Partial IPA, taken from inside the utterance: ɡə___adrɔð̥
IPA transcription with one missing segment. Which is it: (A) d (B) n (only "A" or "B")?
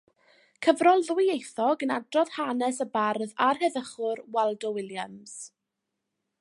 B